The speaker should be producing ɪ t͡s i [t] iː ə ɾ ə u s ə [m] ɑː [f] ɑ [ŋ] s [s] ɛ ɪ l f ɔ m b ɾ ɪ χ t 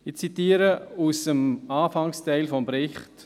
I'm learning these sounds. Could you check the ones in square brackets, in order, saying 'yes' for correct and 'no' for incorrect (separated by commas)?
yes, yes, yes, yes, no